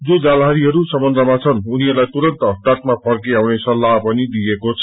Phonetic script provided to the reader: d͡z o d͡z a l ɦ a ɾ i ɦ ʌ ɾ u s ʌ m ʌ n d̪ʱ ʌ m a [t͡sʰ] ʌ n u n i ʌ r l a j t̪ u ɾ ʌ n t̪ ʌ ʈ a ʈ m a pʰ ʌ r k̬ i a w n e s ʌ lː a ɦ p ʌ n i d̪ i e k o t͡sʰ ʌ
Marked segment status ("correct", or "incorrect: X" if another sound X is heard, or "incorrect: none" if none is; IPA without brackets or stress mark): correct